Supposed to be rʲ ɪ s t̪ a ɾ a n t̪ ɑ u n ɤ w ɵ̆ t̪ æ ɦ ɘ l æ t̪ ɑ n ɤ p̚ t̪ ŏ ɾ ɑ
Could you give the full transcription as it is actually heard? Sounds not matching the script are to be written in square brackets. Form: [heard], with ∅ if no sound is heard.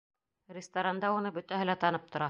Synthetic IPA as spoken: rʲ ɪ s t̪ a ɾ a n [d̪] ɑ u n ɤ [b] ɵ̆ t̪ æ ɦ ɘ l æ t̪ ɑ n ɤ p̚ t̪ ŏ ɾ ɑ